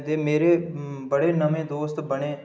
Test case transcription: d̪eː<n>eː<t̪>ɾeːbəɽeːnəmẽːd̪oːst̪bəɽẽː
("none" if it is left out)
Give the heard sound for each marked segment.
m, none

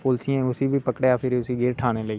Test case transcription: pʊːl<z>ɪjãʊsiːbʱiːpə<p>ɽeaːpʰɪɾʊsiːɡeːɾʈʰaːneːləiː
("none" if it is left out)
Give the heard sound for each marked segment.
s, k

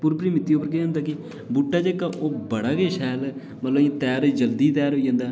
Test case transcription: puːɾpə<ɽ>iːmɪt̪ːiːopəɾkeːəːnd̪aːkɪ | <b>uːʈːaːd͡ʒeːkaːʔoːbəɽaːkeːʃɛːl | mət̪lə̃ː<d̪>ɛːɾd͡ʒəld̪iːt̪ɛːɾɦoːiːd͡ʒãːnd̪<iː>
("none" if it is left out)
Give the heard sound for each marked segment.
ɾ, b, t̪, aː

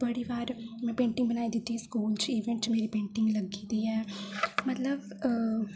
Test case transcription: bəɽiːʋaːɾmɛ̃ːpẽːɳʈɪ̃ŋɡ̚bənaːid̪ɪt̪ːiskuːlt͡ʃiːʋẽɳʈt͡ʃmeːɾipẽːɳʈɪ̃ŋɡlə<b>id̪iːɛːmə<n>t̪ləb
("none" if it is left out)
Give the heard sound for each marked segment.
ɡ, none

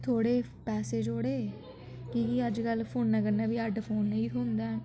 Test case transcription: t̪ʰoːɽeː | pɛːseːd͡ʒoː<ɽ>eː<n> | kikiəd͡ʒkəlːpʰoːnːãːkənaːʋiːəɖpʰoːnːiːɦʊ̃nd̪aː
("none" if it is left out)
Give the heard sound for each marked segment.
ɽ, none

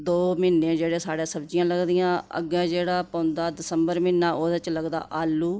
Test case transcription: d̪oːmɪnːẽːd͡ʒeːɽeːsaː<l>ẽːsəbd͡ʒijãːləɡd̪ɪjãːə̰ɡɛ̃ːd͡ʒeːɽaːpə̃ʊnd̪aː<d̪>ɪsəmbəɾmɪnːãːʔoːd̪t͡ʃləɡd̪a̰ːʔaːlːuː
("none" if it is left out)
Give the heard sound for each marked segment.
ɽ, d̪

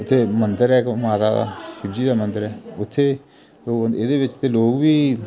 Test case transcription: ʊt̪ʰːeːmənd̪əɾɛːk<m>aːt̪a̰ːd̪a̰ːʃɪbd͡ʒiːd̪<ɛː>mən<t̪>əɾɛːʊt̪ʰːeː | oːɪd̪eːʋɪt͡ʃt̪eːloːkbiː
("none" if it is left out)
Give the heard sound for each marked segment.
m, aː, d̪

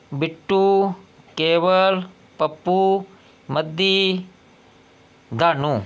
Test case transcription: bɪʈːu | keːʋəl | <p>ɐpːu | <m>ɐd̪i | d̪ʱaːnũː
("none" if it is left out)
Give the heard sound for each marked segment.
p, m

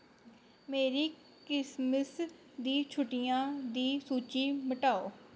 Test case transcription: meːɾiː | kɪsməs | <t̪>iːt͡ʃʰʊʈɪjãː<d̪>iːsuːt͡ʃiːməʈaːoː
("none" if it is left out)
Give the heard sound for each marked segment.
d̪, d̪

